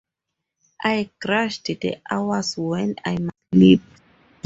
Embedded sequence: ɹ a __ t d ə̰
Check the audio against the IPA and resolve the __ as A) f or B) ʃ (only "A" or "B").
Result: B